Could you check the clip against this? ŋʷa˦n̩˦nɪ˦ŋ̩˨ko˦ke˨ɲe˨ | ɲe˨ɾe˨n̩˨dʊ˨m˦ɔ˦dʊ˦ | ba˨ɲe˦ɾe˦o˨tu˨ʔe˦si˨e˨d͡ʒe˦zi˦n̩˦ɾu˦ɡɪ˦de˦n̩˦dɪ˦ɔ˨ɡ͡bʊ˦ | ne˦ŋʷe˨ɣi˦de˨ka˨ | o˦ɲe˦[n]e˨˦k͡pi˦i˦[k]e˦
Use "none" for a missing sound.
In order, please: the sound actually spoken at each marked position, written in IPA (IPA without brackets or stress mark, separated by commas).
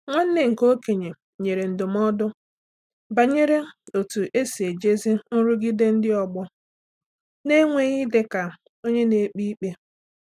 n, k͡p